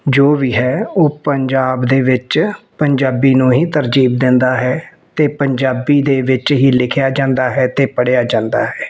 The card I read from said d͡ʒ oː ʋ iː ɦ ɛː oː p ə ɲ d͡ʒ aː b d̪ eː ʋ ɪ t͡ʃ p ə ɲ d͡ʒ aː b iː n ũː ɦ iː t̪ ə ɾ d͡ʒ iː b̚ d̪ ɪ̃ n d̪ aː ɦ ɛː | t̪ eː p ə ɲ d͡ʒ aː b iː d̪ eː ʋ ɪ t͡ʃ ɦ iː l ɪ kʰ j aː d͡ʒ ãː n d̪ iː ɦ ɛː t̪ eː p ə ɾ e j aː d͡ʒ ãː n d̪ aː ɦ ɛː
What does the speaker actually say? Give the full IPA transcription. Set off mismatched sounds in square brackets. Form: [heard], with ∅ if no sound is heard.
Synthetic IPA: d͡ʒ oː ʋ iː ɦ ɛː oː p ə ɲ d͡ʒ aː b d̪ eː ʋ ɪ t͡ʃ p ə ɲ d͡ʒ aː b iː n ũː ɦ iː t̪ ə ɾ d͡ʒ iː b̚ d̪ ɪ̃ n d̪ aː ɦ ɛː | t̪ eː p ə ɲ d͡ʒ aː b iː d̪ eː ʋ ɪ t͡ʃ ɦ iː l ɪ kʰ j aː d͡ʒ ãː n d̪ [aː] ɦ ɛː t̪ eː p ə [ɽ] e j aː d͡ʒ ãː n d̪ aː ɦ ɛː